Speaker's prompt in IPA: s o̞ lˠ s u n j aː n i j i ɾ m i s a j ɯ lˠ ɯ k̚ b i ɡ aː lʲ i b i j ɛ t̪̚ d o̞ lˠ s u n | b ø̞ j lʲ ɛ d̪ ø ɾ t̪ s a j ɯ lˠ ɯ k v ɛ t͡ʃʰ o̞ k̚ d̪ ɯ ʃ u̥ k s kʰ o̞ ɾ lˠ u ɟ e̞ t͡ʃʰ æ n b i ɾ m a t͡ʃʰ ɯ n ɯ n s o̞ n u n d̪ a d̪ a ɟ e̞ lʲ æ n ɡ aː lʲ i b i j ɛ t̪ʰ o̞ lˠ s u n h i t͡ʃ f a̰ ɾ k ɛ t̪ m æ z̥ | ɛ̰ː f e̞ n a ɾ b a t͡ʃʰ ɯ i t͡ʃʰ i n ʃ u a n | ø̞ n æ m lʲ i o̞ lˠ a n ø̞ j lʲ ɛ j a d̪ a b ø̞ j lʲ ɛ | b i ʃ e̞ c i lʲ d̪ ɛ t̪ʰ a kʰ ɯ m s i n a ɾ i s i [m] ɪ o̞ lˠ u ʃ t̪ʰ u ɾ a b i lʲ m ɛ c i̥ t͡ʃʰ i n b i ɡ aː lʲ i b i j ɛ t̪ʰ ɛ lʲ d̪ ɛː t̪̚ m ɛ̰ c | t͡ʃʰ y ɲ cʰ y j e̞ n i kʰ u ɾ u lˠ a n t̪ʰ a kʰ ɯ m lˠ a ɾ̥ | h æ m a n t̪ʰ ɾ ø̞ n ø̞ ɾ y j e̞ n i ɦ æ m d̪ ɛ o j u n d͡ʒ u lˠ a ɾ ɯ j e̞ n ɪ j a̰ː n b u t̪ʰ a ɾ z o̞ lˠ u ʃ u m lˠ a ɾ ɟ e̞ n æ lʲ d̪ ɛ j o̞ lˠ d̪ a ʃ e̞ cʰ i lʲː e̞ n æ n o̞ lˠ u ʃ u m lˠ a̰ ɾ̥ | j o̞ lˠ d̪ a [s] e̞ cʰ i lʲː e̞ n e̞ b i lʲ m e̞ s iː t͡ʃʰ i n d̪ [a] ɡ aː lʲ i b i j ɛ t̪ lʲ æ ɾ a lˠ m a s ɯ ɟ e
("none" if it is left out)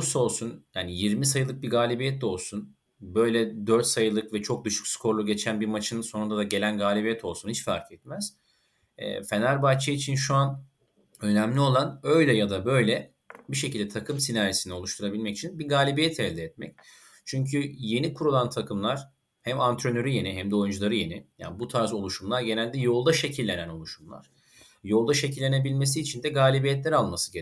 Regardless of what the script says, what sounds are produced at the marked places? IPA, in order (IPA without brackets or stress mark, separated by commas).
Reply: n, ʃ, ɛ